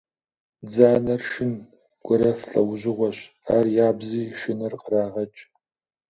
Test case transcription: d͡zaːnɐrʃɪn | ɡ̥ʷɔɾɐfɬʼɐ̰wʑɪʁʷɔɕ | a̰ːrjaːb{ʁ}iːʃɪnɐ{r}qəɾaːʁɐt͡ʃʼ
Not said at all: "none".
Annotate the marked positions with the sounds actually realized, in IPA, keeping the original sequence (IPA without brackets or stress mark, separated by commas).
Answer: z, r